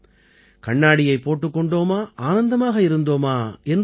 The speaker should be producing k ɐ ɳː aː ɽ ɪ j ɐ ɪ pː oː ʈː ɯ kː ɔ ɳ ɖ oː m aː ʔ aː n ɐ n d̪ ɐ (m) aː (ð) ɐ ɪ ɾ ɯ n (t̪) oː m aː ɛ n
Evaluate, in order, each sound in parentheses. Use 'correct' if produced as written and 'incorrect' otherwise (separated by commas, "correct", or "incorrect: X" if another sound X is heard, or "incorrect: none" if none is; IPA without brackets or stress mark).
correct, incorrect: ɣ, incorrect: d̪